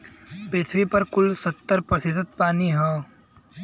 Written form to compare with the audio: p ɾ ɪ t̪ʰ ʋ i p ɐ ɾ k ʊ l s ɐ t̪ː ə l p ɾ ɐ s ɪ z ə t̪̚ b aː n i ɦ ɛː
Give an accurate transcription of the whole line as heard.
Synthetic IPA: p ɾ ɪ t̪ʰ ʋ i p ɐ ɾ k ʊ l s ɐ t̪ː ə ɾ p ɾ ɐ s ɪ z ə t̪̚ p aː n i ɦ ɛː